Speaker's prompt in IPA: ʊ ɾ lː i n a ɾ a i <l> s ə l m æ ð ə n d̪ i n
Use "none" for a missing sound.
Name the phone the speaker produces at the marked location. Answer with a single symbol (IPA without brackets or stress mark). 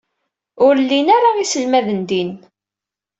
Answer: none